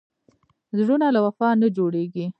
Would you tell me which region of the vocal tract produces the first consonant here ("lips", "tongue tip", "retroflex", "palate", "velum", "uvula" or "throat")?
tongue tip